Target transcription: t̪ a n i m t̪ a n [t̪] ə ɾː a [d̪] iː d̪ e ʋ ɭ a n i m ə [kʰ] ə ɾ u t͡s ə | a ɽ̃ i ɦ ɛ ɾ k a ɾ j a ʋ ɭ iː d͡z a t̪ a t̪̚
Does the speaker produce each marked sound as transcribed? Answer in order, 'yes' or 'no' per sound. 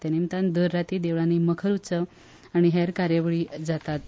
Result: no, no, yes

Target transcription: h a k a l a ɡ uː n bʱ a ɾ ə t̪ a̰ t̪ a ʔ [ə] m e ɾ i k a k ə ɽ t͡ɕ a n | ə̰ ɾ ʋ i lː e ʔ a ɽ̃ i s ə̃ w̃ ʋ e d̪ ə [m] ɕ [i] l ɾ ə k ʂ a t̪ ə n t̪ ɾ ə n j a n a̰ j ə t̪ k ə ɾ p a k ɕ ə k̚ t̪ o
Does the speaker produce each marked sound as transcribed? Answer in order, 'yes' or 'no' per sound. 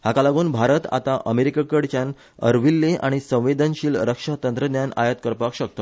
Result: yes, no, no

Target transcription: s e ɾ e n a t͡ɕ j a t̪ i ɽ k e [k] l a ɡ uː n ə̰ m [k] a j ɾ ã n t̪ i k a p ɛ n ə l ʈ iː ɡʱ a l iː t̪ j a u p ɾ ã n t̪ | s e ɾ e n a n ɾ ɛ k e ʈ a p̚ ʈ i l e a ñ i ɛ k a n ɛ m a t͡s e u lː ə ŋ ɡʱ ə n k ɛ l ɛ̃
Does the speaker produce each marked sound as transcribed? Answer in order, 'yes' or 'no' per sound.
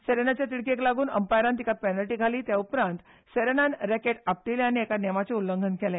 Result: yes, no

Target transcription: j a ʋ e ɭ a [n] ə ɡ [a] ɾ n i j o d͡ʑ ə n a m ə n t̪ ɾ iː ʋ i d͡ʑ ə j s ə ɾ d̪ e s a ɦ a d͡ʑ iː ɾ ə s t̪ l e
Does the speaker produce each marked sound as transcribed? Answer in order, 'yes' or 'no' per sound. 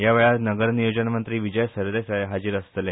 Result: yes, no

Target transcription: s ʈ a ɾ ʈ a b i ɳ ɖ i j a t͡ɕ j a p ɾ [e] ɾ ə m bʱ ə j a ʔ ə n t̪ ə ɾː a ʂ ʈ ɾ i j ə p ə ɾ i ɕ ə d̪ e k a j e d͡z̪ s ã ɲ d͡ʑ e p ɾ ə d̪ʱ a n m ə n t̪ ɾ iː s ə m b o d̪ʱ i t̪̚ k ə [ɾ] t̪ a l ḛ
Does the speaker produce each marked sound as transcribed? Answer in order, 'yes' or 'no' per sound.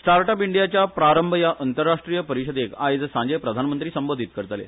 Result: no, yes

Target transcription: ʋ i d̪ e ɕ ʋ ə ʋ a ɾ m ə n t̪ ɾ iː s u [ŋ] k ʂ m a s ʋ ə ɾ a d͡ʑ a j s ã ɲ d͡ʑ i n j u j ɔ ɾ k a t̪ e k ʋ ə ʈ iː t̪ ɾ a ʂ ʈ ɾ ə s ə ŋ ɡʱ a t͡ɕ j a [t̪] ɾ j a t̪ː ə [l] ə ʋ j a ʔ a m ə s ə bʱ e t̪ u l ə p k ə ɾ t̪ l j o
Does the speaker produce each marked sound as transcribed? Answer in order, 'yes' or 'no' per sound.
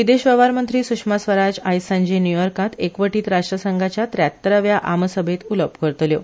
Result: no, yes, no

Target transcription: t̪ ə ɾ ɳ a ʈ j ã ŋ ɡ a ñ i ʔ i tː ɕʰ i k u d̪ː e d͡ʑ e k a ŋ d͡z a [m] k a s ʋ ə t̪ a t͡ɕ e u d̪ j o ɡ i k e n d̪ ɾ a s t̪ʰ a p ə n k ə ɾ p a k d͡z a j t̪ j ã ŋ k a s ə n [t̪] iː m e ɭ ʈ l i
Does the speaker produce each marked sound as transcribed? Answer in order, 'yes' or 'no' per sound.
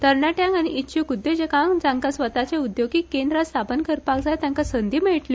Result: no, no

